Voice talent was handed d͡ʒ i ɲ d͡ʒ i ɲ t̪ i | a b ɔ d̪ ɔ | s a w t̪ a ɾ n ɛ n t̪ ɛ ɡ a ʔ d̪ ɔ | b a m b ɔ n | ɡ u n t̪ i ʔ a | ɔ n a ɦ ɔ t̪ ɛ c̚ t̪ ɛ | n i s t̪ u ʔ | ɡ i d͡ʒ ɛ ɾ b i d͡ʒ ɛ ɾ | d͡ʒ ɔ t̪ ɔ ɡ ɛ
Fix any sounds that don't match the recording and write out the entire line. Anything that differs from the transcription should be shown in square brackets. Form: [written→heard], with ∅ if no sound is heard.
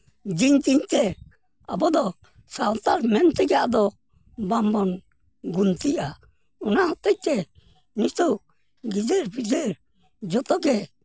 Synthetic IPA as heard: d͡ʒ i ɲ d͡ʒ i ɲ t̪ [i→ɛ] | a b ɔ d̪ ɔ | s a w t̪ a ɾ [n→m] ɛ n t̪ ɛ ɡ a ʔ d̪ ɔ | b a m b ɔ n | ɡ u n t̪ i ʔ a | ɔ n a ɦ ɔ t̪ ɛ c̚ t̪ ɛ | n i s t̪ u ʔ | ɡ i d͡ʒ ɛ ɾ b i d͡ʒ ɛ ɾ | d͡ʒ ɔ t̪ ɔ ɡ ɛ